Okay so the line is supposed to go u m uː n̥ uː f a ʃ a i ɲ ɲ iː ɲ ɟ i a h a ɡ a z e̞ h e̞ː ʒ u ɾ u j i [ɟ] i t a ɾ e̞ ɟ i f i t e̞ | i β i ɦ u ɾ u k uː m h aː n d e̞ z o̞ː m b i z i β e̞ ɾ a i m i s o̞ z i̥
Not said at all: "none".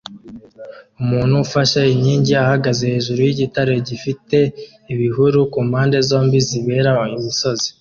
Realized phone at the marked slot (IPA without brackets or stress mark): ɟ